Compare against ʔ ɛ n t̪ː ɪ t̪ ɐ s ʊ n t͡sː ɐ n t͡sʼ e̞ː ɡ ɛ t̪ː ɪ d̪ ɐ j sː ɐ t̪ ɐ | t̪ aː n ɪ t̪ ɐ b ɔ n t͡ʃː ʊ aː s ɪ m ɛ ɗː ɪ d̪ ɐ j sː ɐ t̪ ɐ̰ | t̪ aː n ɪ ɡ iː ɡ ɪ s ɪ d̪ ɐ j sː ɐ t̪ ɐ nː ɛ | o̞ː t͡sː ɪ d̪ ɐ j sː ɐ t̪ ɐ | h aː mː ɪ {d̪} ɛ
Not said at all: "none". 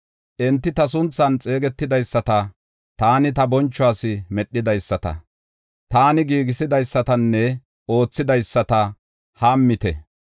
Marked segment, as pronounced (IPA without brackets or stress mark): t̪